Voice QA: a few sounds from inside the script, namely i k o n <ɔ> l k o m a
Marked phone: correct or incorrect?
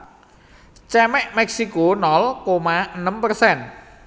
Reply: correct